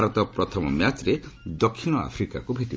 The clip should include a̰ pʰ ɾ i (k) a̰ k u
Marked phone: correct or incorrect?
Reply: correct